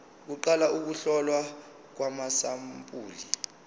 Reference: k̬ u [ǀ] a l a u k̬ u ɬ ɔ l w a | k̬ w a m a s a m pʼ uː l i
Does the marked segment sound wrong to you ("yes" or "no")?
yes